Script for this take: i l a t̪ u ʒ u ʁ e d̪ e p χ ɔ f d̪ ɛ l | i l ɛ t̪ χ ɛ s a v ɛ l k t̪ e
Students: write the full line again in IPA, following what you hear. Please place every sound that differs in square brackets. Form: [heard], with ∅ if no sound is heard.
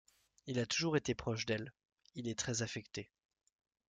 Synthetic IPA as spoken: i l a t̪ u ʒ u ʁ e [t̪] e p χ ɔ [ʃ] d̪ ɛ l | i l ɛ t̪ χ ɛ [z] a [f] ɛ [∅] k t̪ e